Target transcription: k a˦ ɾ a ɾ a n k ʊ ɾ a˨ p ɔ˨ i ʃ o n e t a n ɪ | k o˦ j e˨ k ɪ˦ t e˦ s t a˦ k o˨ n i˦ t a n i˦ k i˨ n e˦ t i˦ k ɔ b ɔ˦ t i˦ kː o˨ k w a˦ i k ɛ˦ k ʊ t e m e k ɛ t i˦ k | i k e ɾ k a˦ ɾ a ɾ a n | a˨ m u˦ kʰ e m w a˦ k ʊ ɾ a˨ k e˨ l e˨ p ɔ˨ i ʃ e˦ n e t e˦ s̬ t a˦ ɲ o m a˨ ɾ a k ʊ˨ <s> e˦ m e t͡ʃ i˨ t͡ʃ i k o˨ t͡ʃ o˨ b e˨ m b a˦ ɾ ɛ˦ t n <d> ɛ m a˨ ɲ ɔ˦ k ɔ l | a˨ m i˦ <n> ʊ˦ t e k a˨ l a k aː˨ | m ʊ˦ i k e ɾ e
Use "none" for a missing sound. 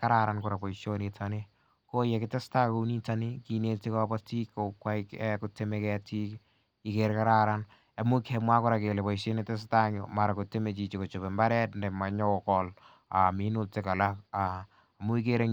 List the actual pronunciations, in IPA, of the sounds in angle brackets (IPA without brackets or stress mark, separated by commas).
t, d, n